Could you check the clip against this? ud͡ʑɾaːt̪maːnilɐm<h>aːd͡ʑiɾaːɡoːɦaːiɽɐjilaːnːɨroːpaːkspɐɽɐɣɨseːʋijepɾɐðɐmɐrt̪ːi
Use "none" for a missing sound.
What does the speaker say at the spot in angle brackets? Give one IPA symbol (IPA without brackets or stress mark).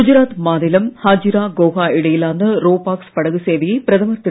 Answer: h